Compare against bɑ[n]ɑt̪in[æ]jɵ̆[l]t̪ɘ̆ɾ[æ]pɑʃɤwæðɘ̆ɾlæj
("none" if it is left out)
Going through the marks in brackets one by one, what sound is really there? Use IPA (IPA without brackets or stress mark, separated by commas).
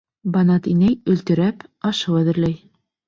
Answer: n, æ, l, æ